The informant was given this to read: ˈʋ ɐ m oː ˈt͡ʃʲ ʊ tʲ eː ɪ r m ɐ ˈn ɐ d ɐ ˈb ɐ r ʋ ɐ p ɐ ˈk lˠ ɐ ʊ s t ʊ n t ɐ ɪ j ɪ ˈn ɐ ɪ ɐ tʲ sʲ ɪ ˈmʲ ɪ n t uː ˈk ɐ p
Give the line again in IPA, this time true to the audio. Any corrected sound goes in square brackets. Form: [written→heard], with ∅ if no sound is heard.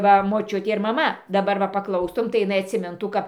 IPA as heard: ˈʋ ɐ m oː ˈt͡ʃʲ ʊ tʲ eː ɪ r m ɐ [ˈn→ˈm] ɐ d ɐ ˈb ɐ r ʋ ɐ p ɐ ˈk lˠ ɐ ʊ s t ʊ [n→m] t ɐ ɪ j ɪ ˈn ɐ ɪ ɐ tʲ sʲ ɪ ˈmʲ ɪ n t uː ˈk ɐ p

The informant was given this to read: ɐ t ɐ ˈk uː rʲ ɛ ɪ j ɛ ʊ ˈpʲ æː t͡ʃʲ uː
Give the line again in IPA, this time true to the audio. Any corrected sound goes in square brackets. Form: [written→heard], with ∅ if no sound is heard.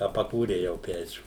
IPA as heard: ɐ [t→p] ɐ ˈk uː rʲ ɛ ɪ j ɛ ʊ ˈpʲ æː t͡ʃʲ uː

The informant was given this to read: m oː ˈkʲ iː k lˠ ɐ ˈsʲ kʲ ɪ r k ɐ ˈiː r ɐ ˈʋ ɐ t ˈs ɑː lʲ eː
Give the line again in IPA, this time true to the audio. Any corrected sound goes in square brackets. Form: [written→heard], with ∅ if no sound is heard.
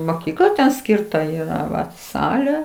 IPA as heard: m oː ˈkʲ iː k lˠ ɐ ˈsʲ kʲ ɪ r [k→t] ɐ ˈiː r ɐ ˈʋ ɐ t ˈs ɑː lʲ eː

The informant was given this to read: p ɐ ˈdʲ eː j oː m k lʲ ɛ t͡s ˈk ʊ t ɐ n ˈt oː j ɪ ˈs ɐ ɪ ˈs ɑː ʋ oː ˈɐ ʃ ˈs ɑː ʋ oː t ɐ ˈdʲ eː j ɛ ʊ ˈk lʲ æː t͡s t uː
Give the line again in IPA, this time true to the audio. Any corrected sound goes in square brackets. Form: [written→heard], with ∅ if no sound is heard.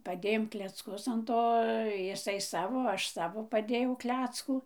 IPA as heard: p ɐ ˈdʲ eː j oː m k lʲ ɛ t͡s ˈk ʊ [t→s] ɐ n ˈt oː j ɪ ˈs ɐ ɪ ˈs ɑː ʋ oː ˈɐ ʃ ˈs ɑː ʋ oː [t→p] ɐ ˈdʲ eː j ɛ ʊ ˈk lʲ æː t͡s [t→k] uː

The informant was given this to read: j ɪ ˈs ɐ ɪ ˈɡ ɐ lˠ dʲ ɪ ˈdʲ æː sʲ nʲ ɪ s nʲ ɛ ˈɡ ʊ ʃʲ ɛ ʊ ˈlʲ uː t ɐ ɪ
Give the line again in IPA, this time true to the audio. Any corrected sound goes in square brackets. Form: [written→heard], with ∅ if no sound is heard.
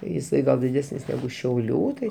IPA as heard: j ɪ ˈs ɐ ɪ ˈɡ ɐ lˠ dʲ ɪ ˈdʲ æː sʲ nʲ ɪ s nʲ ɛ ˈɡ ʊ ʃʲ ɛ ʊ ˈlʲ uː t ɐ ɪ

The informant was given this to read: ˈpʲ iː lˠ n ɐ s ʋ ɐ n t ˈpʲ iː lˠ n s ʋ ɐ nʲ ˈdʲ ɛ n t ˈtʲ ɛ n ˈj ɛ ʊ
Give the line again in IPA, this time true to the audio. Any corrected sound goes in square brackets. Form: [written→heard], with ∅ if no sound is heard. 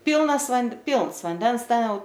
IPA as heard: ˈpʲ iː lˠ n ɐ s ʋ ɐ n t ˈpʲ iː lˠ n s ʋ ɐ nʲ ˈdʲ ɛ n [t→s] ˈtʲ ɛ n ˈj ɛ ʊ

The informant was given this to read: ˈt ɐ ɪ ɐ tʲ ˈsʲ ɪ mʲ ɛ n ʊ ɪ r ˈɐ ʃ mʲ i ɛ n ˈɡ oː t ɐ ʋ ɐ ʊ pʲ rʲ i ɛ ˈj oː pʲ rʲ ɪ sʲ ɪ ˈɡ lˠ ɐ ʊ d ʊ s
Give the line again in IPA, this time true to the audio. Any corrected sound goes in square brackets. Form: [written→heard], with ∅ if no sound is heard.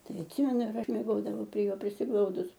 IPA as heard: ˈt ɐ ɪ ɐ tʲ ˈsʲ ɪ mʲ ɛ n ʊ ɪ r ˈɐ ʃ mʲ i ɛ [n→∅] ˈɡ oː [t→d] ɐ ʋ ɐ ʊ pʲ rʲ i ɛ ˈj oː pʲ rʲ ɪ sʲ ɪ ˈɡ lˠ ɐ ʊ d ʊ s

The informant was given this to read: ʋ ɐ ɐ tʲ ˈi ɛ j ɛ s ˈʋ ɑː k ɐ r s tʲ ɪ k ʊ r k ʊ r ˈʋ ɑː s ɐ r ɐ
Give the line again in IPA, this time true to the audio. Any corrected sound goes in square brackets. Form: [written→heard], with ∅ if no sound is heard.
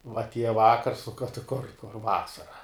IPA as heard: ʋ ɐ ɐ tʲ ˈi ɛ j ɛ [s→∅] ˈʋ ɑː k ɐ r s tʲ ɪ k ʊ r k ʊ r ˈʋ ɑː s ɐ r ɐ

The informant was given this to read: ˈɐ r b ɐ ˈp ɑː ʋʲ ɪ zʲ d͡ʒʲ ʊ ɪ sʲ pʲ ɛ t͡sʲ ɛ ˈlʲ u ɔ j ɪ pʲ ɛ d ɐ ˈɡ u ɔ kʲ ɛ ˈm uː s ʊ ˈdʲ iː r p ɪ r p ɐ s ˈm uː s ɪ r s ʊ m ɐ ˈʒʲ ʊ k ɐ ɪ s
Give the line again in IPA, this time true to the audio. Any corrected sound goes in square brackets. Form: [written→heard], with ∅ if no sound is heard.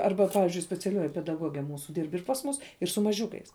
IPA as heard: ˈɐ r b ɐ ˈp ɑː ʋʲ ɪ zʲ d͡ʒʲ ʊ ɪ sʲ pʲ ɛ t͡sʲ ɛ ˈlʲ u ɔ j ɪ pʲ ɛ d ɐ ˈɡ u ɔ [kʲ→ɡʲ] ɛ ˈm uː s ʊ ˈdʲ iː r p ɪ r p ɐ s ˈm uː s ɪ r s ʊ m ɐ ˈʒʲ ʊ k ɐ ɪ s

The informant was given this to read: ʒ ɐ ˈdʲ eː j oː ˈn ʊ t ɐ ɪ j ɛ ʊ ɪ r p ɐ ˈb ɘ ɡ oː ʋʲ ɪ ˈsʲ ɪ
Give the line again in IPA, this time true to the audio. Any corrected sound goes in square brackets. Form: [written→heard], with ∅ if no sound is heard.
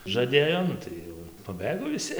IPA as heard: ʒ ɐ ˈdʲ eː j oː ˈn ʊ t ɐ ɪ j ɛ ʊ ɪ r p ɐ ˈb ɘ ɡ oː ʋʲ ɪ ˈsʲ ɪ

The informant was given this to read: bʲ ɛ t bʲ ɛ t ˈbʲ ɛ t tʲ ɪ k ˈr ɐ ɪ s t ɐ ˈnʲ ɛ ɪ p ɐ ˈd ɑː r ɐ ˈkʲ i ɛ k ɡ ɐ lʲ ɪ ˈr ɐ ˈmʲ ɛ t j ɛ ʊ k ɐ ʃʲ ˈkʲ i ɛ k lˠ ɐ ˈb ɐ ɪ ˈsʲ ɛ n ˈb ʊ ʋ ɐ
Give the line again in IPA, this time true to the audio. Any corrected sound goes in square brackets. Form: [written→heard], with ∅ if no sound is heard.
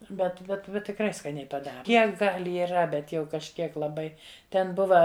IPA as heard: bʲ ɛ t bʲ ɛ t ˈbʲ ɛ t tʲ ɪ k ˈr ɐ ɪ s [t→k] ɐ ˈnʲ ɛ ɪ p ɐ ˈd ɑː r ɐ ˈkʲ i ɛ k ɡ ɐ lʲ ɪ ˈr ɐ [ˈmʲ→ˈbʲ] ɛ t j ɛ ʊ k ɐ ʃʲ ˈkʲ i ɛ k lˠ ɐ ˈb ɐ ɪ [ˈsʲ→ˈtʲ] ɛ n ˈb ʊ ʋ ɐ

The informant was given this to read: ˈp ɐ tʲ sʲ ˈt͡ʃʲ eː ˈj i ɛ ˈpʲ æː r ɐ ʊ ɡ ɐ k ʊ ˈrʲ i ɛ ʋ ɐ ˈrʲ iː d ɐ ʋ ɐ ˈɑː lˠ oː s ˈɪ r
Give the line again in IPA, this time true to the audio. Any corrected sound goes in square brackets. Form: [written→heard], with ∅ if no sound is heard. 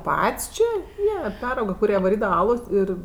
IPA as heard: ˈp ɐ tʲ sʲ ˈt͡ʃʲ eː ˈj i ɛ ˈpʲ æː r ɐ ʊ ɡ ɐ k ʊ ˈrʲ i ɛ ʋ ɐ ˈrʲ iː d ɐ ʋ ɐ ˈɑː lˠ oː s ˈɪ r

